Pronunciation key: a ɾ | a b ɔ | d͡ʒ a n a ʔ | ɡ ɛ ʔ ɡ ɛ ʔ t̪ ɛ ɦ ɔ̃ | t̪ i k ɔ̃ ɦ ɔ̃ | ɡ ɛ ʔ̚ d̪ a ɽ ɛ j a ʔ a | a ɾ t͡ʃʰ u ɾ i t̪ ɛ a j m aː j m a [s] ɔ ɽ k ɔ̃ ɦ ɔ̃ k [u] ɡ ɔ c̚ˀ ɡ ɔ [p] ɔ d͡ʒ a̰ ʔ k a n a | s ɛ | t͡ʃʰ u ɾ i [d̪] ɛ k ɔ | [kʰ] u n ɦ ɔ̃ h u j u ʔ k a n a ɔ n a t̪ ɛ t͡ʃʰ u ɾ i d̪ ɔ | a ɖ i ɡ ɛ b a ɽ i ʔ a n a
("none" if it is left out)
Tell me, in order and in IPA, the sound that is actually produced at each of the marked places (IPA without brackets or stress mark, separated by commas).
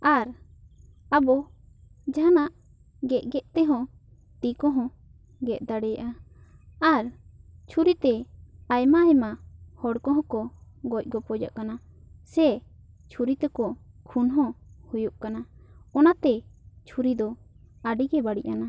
h, ɔ, p, t̪, kʰ